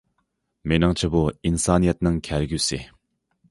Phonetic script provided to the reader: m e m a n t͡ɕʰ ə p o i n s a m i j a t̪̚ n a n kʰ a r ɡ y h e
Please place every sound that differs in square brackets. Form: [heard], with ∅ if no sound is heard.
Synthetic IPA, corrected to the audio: m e [n] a [ŋ] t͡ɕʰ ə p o i n s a [n] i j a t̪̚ n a [ŋ] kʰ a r ɡ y [s] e